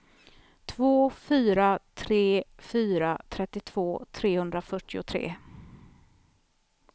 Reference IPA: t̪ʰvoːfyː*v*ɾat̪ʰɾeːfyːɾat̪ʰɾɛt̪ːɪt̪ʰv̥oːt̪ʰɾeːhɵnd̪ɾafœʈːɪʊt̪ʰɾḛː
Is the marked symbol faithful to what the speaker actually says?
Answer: no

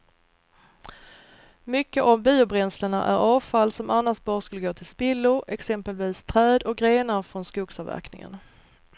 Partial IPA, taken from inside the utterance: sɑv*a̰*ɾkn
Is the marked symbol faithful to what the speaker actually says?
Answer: no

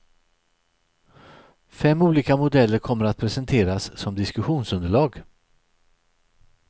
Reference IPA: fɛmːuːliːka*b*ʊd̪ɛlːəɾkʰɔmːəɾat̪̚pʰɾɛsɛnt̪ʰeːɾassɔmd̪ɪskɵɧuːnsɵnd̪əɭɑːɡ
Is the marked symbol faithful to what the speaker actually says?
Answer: no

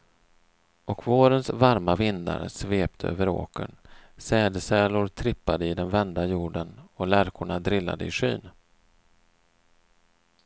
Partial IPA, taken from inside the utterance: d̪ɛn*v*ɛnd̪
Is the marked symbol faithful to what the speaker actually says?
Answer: yes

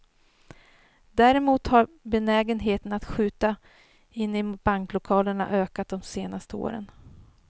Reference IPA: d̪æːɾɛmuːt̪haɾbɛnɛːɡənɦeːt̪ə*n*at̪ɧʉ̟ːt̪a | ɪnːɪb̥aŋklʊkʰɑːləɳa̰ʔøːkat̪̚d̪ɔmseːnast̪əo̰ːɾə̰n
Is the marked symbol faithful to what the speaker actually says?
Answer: yes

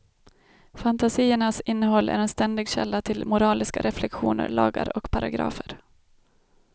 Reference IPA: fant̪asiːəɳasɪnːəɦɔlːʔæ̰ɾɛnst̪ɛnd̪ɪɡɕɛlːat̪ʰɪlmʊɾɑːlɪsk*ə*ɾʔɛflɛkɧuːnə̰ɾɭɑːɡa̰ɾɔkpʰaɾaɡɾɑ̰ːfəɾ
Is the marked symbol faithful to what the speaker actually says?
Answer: no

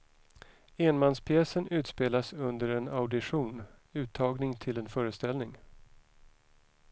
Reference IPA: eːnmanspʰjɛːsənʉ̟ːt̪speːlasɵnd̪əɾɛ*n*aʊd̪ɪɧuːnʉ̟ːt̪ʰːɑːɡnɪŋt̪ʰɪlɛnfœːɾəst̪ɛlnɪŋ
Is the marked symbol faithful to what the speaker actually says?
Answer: yes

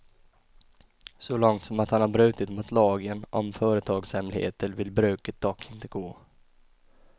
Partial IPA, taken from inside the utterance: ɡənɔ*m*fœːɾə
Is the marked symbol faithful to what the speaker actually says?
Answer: yes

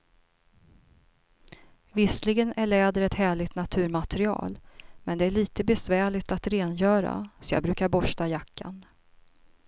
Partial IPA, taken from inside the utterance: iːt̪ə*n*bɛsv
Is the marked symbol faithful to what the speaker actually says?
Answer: no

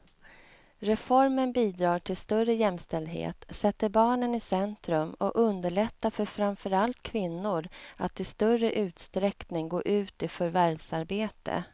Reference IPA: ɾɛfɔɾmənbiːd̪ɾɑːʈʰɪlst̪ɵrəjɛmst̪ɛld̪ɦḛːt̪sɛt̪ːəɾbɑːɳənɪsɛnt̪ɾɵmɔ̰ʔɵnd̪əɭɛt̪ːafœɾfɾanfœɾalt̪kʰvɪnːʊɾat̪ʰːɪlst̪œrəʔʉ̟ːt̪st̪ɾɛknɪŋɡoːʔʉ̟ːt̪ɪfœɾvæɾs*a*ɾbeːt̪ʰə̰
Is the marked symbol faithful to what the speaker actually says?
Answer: yes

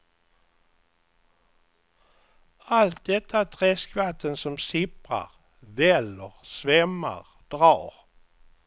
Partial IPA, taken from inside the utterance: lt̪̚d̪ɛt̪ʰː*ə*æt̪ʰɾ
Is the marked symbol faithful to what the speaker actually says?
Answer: no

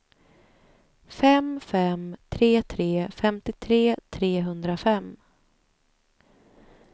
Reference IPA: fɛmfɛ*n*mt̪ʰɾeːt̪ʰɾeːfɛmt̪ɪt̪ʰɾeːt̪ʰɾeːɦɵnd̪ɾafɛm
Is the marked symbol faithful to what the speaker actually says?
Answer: no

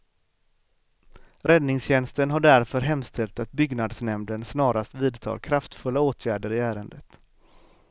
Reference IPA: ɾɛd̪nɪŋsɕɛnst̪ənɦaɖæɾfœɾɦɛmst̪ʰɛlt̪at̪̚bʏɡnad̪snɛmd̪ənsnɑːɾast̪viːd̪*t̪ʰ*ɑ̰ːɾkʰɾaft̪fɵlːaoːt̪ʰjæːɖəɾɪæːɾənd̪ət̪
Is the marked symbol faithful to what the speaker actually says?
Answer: yes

